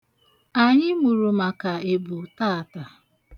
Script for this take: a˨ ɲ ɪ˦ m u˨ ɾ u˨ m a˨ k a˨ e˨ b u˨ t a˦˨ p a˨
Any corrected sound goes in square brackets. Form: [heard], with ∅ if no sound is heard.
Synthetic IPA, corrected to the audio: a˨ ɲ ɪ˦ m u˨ ɾ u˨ m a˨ k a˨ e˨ b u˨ t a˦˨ [t] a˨